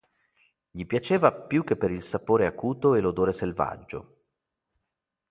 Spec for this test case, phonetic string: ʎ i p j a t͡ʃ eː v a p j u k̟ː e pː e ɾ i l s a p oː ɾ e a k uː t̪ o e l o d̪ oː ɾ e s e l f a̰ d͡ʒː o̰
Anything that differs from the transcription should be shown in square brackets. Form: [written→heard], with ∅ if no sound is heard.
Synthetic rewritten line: ʎ i p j a t͡ʃ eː v a p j u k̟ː e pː e ɾ i l s a p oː ɾ e a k uː t̪ o e l o d̪ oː ɾ e s e l [f→v] a̰ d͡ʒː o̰